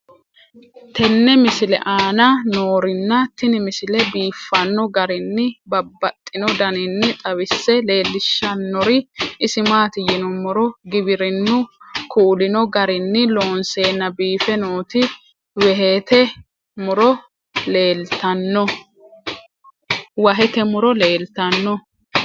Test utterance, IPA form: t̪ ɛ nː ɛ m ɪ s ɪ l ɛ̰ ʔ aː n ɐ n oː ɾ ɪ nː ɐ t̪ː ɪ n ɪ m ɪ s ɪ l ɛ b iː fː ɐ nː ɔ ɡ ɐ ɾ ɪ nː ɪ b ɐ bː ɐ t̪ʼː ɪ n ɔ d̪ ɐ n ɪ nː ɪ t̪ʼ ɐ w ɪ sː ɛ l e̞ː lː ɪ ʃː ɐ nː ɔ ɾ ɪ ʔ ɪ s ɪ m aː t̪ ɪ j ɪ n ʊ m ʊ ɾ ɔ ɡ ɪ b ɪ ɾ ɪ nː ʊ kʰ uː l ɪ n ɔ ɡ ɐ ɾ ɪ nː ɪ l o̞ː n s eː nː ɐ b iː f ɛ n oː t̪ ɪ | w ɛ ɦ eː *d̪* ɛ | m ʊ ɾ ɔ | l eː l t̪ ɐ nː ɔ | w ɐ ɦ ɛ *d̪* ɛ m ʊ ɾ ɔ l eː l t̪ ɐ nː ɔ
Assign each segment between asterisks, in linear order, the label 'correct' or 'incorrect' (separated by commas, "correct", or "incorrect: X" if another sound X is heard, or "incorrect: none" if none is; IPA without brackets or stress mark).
incorrect: t̪, incorrect: t̪